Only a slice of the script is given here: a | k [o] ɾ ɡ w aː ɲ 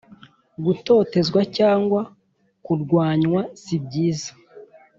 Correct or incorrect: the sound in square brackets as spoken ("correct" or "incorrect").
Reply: incorrect